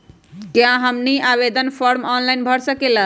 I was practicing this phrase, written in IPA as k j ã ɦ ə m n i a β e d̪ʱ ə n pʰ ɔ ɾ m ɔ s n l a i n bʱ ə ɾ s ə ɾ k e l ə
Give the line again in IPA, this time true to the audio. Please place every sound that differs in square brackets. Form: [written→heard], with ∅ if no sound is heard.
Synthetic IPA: k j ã ɦ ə m n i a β e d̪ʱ ə n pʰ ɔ ɾ m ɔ [s→∅] n l a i n bʱ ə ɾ s ə [ɾ→∅] k e l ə